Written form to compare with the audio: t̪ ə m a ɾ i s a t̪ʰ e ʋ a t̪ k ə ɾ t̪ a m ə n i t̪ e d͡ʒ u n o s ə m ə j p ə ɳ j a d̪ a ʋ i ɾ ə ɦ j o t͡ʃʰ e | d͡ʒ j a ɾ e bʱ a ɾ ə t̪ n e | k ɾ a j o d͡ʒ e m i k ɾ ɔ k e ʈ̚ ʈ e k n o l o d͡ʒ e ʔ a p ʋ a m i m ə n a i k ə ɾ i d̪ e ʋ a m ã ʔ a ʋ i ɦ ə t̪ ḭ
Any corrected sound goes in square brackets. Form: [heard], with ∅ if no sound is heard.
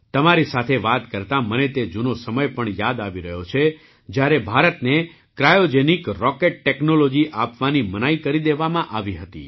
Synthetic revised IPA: t̪ ə m a ɾ i s a t̪ʰ e ʋ a t̪ k ə ɾ t̪ a m ə n [e] t̪ e d͡ʒ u n o s ə m ə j p ə ɳ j a d̪ a ʋ i ɾ ə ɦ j o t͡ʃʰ e | d͡ʒ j a ɾ e bʱ a ɾ ə t̪ n e | k ɾ a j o d͡ʒ e [n] i k ɾ ɔ k e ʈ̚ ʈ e k n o l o d͡ʒ [i] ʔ a p ʋ a [n] i m ə n a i k ə ɾ i d̪ e ʋ a m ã ʔ a ʋ i ɦ ə t̪ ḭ